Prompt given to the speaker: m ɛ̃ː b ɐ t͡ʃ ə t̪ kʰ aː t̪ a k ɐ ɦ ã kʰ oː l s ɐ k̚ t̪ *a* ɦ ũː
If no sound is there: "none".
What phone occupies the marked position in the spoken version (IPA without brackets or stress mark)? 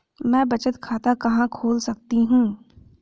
i